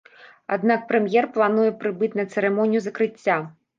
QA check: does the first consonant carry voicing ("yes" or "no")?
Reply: yes